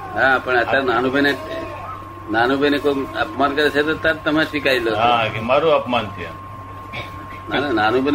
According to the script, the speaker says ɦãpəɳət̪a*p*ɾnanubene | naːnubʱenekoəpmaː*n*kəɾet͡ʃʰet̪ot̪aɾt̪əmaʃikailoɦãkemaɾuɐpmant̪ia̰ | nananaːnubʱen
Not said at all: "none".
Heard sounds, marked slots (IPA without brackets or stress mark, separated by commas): none, n